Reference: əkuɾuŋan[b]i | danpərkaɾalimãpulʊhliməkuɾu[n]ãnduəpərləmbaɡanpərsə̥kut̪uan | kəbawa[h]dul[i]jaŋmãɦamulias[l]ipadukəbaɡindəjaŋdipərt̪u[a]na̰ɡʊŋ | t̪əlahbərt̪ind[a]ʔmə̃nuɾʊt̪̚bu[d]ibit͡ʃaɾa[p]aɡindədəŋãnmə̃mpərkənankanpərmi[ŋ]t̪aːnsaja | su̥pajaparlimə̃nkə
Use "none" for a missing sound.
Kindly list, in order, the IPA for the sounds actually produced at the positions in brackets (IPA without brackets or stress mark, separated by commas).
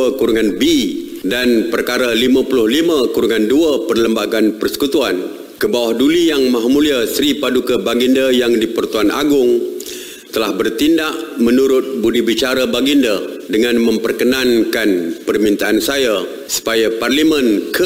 b, ŋ, h, i, ɾ, a, a, d, b, n